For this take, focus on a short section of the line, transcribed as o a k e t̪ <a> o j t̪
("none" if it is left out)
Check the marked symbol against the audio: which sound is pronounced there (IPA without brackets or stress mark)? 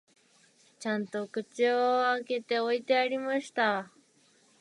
e